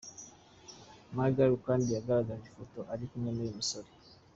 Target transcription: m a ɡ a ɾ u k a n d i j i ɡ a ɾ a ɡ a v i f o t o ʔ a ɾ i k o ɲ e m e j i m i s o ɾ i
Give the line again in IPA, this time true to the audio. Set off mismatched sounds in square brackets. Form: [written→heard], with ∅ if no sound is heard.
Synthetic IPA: m a ɡ a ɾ u k a n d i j [i→a] ɡ a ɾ a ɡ a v i f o t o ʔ a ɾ i k [o→u] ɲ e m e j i m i s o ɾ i